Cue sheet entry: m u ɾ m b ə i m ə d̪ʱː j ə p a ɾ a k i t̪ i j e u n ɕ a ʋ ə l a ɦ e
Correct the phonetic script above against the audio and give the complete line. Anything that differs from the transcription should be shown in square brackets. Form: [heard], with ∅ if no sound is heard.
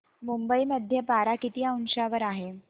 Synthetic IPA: m u [∅] m b ə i m ə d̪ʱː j ə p a ɾ a k i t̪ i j [a] u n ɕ a ʋ ə [ɾ] a ɦ e